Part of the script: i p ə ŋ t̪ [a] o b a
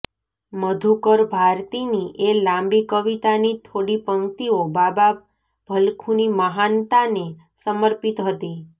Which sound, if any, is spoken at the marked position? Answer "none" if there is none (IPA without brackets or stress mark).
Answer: i